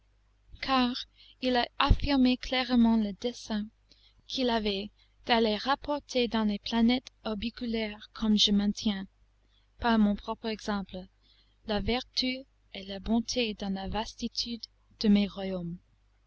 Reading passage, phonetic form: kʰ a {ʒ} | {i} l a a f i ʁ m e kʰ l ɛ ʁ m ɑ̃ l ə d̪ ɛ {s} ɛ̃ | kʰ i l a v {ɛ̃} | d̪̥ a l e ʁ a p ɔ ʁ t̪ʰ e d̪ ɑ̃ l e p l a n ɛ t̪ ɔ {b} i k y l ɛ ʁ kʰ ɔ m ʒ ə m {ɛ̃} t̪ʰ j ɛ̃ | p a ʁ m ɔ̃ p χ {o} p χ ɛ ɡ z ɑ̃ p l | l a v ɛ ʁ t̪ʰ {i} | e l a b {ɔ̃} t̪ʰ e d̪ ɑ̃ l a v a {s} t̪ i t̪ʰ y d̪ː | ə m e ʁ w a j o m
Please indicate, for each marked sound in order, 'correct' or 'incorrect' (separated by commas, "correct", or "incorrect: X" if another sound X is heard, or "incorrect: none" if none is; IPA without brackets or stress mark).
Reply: incorrect: ʁ, correct, correct, incorrect: ɛ, correct, correct, incorrect: ɔ, incorrect: y, correct, correct